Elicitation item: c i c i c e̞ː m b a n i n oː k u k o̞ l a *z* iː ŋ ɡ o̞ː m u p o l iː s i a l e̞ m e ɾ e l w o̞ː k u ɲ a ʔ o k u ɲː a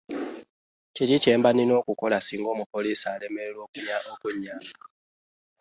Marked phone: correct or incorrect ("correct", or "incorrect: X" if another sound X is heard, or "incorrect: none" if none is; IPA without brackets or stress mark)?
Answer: incorrect: s